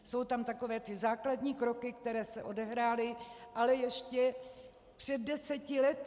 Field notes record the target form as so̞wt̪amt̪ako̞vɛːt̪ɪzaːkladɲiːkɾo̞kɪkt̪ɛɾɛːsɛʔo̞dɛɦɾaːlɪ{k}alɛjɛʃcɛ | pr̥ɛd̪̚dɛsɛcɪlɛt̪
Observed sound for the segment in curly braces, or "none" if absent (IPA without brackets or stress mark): ʔ